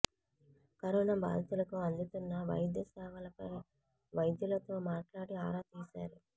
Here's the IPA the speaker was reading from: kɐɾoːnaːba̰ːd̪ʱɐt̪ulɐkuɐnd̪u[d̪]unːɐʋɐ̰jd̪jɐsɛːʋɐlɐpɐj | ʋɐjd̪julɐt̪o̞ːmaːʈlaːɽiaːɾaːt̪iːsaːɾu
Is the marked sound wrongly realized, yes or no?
yes